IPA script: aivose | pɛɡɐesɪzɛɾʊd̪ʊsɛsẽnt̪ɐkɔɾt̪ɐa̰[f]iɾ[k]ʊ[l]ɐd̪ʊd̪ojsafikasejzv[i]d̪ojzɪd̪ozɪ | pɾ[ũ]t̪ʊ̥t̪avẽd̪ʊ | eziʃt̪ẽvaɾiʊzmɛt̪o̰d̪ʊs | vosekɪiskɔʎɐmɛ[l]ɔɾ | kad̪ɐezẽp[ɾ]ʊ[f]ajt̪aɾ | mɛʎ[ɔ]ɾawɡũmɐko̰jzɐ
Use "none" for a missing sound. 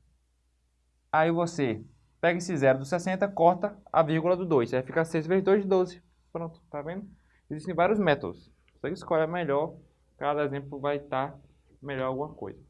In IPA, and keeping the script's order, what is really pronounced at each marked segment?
v, ɡ, l, e, õ, ʎ, l, v, ɔ

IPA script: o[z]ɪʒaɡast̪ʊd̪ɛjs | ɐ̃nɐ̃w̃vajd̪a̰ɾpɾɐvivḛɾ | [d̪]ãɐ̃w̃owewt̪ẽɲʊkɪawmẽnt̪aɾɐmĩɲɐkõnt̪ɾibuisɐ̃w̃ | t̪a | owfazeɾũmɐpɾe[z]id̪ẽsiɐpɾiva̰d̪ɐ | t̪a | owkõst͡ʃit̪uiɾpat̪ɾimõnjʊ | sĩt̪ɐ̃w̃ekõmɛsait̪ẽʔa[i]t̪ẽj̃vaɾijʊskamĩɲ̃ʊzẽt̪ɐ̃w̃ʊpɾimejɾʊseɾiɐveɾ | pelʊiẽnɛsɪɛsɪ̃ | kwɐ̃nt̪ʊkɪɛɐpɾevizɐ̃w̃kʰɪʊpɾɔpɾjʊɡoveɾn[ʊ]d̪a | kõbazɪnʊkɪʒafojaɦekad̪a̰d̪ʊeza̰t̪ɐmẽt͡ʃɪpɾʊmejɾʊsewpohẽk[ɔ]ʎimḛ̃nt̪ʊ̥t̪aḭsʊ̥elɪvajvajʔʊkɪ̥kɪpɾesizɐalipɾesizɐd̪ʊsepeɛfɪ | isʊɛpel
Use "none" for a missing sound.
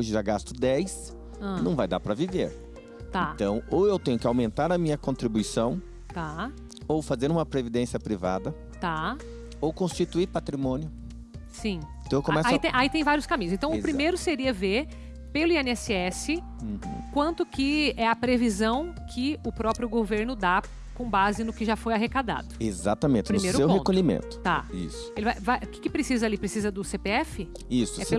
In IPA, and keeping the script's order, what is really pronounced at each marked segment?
ʒ, t̪, v, i, ʊ, o

